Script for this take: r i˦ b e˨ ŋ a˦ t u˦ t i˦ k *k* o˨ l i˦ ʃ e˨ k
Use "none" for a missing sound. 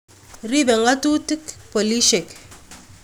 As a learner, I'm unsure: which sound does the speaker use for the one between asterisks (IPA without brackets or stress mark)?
p